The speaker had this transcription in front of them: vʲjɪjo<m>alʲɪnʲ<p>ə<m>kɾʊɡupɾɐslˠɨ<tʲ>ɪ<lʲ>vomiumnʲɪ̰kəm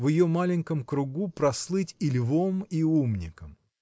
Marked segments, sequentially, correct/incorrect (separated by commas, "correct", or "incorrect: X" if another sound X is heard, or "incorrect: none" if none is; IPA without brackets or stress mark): correct, incorrect: k, correct, correct, correct